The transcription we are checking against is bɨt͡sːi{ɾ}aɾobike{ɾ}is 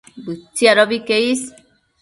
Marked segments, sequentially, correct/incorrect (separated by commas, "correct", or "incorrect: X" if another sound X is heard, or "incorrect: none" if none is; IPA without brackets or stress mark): incorrect: none, incorrect: none